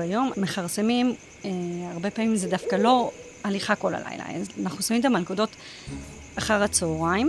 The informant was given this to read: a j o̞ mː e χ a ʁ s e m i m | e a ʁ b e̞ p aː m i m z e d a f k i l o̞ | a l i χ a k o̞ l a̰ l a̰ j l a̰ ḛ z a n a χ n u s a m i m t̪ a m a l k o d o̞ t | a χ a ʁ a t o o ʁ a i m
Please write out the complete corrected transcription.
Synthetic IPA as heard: a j o̞ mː e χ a ʁ s e m i m | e a ʁ b e̞ p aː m i m z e d a f k a l o̞ | a l i χ a k o̞ l a̰ l a̰ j l a̰ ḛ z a n a χ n u s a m i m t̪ a m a l k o d o̞ t | a χ a ʁ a t͡s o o ʁ a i m